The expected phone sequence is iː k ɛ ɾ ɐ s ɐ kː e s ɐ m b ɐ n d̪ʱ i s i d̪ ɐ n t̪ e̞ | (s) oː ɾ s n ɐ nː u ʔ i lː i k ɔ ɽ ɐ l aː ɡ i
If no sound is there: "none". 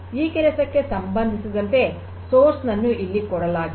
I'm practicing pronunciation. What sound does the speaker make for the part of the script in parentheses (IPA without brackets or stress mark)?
s